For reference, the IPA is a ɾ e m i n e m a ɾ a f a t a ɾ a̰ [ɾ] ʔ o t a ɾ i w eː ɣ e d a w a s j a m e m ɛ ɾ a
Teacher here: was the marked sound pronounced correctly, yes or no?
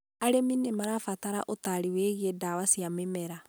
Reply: no